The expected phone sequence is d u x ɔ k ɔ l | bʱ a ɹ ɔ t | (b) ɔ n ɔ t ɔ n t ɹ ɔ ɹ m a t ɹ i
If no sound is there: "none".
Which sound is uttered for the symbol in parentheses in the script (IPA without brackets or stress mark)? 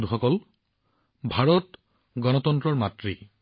ɡ